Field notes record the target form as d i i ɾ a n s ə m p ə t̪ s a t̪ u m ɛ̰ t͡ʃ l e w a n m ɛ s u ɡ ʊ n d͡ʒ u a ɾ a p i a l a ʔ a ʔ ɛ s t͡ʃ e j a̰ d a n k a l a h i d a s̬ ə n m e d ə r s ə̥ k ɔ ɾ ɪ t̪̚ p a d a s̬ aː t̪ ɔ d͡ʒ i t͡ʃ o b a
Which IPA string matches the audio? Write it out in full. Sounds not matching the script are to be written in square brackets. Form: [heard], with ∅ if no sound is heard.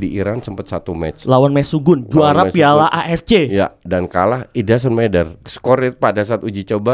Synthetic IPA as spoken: d i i ɾ a n s ə m p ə t̪ s a t̪ u m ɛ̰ t͡ʃ l [a] w a n m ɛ s u ɡ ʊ n d͡ʒ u a ɾ a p i a l a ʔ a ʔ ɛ s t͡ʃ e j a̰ d a n k a l a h i d a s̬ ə n m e d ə r s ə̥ k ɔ ɾ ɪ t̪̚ p a d a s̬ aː t̪ [u] d͡ʒ i t͡ʃ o b a